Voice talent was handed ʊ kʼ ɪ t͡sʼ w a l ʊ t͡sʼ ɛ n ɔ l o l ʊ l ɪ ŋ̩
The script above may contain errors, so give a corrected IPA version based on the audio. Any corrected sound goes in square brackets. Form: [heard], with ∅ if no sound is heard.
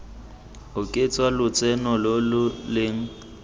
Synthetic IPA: ʊ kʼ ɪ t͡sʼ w a l ʊ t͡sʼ ɛ n ɔ l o l ʊ l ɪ ŋ̩